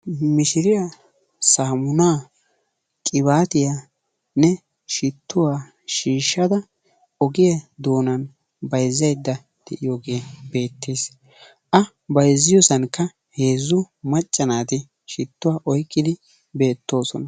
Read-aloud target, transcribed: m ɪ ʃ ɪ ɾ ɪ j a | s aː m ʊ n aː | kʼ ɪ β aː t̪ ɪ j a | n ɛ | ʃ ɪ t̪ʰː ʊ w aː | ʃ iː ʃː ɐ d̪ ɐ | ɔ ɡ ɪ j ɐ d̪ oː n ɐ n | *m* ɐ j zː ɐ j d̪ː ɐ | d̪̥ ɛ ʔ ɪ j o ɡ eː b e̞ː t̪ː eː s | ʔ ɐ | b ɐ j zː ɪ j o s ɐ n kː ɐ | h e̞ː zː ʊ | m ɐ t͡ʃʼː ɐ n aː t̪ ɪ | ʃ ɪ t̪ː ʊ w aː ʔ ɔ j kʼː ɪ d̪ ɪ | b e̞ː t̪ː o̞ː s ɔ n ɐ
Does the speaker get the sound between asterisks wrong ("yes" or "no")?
yes